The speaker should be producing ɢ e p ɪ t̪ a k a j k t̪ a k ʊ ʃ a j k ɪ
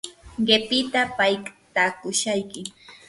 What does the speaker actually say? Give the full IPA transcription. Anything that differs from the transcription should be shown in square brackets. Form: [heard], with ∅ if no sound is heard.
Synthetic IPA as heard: ɢ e p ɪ t̪ a [p] a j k t̪ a k ʊ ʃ a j k ɪ